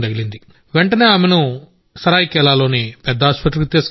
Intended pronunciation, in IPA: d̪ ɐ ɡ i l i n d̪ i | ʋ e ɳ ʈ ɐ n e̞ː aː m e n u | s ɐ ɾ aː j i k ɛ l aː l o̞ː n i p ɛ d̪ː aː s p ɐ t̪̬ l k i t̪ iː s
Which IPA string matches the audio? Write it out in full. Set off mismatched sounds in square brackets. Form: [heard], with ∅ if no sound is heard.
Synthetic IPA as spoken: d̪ ɐ ɡ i l i n d̪ i | ʋ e ɳ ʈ ɐ n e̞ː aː m e n u | s ɐ ɾ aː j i k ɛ l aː l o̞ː n i p ɛ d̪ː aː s p ɐ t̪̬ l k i t̪ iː s